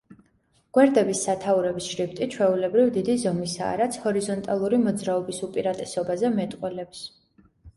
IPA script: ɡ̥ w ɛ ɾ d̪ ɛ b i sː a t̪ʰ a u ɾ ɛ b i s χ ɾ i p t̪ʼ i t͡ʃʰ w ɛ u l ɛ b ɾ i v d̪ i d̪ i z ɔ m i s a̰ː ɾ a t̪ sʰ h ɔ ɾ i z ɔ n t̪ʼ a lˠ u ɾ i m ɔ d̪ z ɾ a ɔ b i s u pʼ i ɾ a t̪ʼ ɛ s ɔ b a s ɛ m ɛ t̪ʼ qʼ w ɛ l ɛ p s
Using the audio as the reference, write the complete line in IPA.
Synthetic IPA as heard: ɡ̥ w ɛ ɾ d̪ ɛ b i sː a t̪ʰ a u ɾ ɛ b i s ʃ ɾ i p t̪ʼ i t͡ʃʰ w ɛ u l ɛ b ɾ i v d̪ i d̪ i z ɔ m i s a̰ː ɾ a t̪ sʰ h ɔ ɾ i z ɔ n t̪ʼ a lˠ u ɾ i m ɔ d̪ z ɾ a ɔ b i s u pʼ i ɾ a t̪ʼ ɛ s ɔ b a z ɛ m ɛ t̪ʼ qʼ w ɛ l ɛ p s

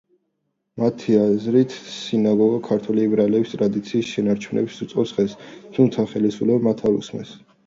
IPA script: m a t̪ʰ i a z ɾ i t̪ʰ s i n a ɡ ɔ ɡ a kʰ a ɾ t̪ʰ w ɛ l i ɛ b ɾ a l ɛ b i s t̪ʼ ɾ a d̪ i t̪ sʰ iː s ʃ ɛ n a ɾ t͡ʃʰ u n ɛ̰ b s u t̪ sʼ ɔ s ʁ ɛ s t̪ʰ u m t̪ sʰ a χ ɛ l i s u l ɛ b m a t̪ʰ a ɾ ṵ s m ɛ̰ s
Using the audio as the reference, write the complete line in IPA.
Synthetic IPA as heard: m a t̪ʰ i a z ɾ i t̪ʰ s i n a ɡ ɔ ɡ a kʰ a ɾ t̪ʰ w ɛ l i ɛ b ɾ a l ɛ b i s t̪ʼ ɾ a d̪ i t̪ sʰ iː s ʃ ɛ n a ɾ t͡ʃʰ u n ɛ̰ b s u t̪ sʼ ɔ s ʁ ɛ s t̪ʰ u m t̪ sʰ a χ ɛ l i s u l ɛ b m a t̪ʰ a ɾ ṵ s m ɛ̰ s

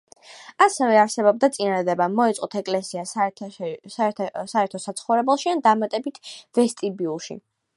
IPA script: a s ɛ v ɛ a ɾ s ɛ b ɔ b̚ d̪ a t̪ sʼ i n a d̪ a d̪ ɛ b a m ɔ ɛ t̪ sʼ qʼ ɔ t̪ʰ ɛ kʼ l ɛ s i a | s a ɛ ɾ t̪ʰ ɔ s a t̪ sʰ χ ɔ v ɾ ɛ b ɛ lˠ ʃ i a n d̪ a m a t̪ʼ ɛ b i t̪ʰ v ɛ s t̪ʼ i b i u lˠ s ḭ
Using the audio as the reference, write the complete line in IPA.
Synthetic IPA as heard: a s ɛ v ɛ a ɾ s ɛ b ɔ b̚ d̪ a t̪ sʼ i n a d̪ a d̪ ɛ b a m ɔ ɛ t̪ sʼ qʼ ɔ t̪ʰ ɛ kʼ l ɛ s i a | s a ɛ ɾ t̪ʰ ɔ s a t̪ sʰ χ ɔ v ɾ ɛ b ɛ lˠ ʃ i a n d̪ a m a t̪ʼ ɛ b i t̪ʰ v ɛ s t̪ʼ i b i u lˠ ʃ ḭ

